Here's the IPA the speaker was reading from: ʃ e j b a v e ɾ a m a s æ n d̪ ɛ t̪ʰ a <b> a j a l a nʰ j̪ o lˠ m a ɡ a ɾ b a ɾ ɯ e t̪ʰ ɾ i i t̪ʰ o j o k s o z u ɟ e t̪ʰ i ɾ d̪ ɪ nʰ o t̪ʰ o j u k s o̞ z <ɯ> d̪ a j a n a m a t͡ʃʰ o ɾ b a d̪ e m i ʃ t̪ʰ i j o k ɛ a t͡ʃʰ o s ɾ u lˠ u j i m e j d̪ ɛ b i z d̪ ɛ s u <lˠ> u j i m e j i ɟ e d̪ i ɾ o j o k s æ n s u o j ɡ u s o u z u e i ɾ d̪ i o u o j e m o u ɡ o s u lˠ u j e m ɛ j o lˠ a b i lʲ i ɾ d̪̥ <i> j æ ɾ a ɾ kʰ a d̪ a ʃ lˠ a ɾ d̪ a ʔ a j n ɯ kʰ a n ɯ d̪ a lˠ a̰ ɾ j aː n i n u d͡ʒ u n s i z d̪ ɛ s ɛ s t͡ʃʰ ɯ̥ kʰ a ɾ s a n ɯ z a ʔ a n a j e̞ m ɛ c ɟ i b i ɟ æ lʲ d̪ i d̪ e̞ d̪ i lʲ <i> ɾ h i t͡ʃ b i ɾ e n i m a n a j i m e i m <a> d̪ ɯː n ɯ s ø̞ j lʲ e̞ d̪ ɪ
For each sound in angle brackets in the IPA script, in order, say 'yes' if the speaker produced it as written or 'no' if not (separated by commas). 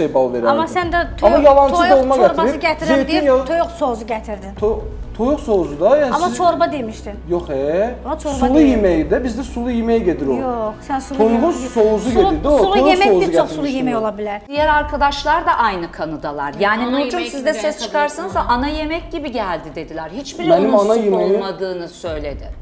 no, no, yes, yes, no, yes